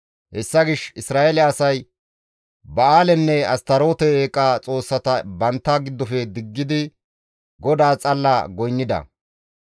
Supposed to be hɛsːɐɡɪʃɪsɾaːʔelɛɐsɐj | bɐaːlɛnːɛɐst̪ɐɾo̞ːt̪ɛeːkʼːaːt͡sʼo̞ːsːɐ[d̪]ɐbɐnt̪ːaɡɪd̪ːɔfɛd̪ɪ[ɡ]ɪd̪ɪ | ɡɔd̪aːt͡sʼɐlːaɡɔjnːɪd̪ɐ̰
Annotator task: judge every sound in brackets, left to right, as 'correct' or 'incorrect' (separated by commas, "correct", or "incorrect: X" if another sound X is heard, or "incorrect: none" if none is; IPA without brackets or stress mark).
incorrect: t̪, incorrect: ɡː